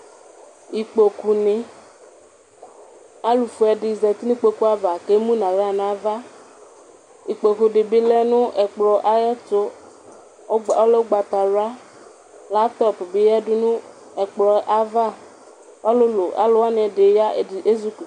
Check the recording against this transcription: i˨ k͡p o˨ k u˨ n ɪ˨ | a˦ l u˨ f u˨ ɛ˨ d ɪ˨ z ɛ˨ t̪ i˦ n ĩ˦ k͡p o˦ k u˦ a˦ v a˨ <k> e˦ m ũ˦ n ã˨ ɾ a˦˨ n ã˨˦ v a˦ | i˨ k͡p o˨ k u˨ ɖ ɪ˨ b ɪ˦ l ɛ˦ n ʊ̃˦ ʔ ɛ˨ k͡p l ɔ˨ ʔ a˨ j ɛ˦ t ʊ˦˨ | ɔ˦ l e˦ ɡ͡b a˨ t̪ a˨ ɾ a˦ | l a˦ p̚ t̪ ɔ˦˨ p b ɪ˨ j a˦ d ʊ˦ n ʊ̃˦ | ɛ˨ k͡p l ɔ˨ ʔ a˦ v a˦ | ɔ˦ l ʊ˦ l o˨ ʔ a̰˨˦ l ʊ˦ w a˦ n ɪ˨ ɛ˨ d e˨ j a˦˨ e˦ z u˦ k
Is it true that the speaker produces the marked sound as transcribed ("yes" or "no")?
yes